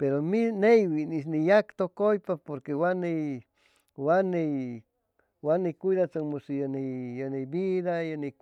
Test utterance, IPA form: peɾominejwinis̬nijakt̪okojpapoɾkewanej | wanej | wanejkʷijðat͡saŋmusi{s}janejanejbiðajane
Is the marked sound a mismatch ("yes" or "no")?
yes